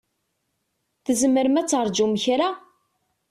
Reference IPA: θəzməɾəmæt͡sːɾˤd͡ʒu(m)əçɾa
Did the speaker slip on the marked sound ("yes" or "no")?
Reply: no